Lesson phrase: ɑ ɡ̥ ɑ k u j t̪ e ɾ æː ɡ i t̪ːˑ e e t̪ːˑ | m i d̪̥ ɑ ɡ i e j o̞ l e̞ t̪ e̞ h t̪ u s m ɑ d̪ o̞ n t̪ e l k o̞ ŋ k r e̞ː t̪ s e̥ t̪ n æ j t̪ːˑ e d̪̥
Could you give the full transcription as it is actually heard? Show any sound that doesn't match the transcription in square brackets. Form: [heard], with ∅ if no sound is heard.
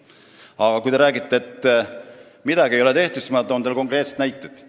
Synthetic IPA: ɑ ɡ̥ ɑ k u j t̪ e ɾ æː ɡ i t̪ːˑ e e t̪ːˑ | m i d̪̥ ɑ ɡ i e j o̞ l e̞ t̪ e̞ h t̪ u s m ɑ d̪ o̞ n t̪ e l k o̞ ŋ k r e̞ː t̪ s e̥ t̪ n æ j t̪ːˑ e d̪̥

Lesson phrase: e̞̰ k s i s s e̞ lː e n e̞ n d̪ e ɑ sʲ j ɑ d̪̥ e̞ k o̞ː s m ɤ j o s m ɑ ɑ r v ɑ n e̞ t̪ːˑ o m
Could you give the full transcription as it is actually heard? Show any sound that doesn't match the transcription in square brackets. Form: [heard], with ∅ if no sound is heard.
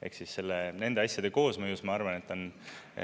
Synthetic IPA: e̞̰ k s i s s e̞ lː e n e̞ n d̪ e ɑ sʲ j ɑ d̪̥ e̞ k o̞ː s m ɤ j [u] s m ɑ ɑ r v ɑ n e̞ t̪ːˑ o [n]

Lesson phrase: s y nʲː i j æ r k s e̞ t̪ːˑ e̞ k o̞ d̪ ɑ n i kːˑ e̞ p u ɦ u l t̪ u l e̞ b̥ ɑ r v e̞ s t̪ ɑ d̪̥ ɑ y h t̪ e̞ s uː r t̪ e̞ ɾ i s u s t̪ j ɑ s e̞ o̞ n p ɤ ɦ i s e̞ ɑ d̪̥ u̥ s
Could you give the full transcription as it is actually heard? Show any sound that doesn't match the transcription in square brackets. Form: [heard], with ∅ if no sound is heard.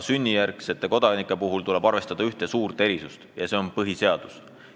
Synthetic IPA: s y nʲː i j æ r k s e̞ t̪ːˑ e̞ k o̞ d̪ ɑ n i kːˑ e̞ p u ɦ u l t̪ u l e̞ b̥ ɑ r v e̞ s t̪ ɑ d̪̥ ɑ y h t̪ e̞ s uː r t̪ e̞ ɾ i s u s t̪ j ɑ s e̞ o̞ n p ɤ ɦ i s e̞ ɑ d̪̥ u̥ s

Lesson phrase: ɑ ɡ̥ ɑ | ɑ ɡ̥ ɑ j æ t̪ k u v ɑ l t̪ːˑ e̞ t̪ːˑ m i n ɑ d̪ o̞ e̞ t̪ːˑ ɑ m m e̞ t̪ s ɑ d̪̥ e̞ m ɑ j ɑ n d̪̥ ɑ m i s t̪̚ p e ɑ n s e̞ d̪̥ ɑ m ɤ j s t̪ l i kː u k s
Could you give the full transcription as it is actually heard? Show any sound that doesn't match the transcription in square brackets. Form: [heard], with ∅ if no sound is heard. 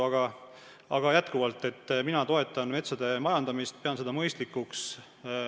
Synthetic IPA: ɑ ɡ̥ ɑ | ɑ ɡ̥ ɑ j æ t̪ k u v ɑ l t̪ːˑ e̞ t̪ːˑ m i n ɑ [t̪] o̞ e̞ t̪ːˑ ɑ [n] m e̞ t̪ s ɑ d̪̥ e̞ m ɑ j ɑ n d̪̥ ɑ m i s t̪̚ p e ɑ n s e̞ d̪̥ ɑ m ɤ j s t̪ l i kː u k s

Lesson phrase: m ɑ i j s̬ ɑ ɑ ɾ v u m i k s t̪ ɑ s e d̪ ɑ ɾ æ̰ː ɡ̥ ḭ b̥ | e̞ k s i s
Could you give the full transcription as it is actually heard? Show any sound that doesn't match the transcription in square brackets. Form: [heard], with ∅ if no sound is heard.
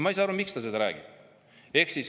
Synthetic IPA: m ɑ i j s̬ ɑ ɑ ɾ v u m i k s t̪ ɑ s e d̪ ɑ ɾ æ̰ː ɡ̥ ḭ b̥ | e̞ k s i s

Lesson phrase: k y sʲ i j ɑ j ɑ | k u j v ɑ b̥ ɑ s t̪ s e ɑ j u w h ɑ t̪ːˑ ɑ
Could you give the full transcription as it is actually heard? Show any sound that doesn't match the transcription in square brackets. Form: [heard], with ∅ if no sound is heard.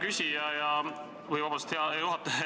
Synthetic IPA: k y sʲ i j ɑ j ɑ | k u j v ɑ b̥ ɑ s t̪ [h] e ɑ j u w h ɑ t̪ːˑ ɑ

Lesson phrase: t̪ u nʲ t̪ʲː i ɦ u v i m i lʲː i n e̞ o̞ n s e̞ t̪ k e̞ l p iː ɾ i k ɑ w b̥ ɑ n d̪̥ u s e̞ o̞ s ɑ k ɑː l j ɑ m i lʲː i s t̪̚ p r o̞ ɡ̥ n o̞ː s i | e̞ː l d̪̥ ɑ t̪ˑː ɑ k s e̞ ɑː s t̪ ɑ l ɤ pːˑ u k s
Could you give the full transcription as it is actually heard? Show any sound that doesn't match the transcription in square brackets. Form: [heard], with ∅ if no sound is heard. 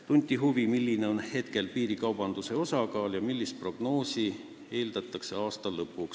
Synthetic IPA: t̪ u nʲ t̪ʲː i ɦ u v i m i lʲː i n e̞ o̞ n [h] e̞ t̪ k e̞ l p iː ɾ i k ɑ w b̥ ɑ n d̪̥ u s e̞ o̞ s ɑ k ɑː l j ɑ m i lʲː i s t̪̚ p r o̞ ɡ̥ n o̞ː s i | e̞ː l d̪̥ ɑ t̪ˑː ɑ k s e̞ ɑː s t̪ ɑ l ɤ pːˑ u k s

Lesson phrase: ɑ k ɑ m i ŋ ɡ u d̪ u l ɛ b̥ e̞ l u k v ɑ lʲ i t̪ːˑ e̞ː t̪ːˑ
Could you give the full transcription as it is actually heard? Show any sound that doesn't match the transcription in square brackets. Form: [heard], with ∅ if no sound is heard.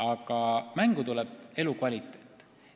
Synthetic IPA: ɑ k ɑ m [æ] ŋ ɡ u [t̪] u l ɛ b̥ e̞ l u k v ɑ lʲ i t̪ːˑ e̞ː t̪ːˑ

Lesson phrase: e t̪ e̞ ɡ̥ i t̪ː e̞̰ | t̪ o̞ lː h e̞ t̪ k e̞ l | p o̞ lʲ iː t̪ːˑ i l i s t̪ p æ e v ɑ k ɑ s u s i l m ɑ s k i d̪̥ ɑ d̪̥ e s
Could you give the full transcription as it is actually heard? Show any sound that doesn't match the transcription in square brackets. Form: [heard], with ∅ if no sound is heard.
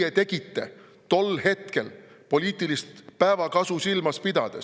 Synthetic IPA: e t̪ e̞ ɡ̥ i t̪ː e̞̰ | t̪ o̞ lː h e̞ t̪ k e̞ l | p o̞ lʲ iː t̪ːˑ i l i s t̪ p æ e v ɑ k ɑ s u s i l m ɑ s [p] i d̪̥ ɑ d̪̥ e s

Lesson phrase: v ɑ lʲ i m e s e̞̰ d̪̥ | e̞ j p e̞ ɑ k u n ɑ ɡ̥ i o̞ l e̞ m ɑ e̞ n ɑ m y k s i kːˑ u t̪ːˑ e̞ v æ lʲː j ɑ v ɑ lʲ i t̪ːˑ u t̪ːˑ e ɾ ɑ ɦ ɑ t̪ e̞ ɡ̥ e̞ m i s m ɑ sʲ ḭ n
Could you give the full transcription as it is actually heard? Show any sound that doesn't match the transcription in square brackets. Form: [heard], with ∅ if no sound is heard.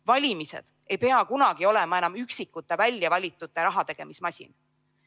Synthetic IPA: v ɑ lʲ i m [i] s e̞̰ d̪̥ | e̞ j p e̞ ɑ k u n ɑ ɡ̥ i o̞ l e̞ m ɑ e̞ n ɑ m y k s i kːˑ u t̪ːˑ e̞ v æ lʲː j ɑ v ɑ lʲ i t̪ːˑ u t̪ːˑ e ɾ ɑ ɦ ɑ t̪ e̞ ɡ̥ e̞ m i s m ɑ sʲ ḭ n

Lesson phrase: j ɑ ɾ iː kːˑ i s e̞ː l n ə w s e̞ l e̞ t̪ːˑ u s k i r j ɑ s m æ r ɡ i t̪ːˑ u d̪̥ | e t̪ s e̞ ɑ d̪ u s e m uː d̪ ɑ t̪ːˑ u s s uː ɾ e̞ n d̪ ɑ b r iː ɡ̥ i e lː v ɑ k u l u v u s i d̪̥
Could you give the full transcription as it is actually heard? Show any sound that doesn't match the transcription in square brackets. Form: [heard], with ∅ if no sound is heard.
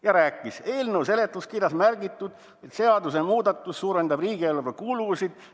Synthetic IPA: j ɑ ɾ [æː] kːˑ i s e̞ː l n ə w s e̞ l e̞ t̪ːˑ u s k i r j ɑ s m æ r ɡ i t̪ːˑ u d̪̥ | e t̪ s e̞ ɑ d̪ u s e m uː d̪ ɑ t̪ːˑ u s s uː ɾ e̞ n d̪ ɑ b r iː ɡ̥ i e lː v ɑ k u l u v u s i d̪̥

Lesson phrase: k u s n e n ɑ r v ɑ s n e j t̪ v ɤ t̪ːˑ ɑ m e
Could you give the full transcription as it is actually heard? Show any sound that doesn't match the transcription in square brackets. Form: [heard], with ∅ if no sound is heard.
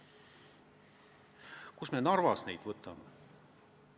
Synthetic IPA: k u s [m] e n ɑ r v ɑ s n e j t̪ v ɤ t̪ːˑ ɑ m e

